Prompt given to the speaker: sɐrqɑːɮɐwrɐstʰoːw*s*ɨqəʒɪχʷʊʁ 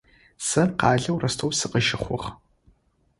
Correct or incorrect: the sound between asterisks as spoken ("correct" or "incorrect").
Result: correct